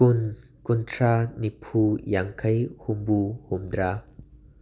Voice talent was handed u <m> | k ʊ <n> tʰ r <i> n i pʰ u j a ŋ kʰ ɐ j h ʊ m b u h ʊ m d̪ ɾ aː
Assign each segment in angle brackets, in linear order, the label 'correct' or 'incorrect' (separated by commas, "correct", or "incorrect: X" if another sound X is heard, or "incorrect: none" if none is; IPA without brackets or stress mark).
incorrect: n, correct, incorrect: a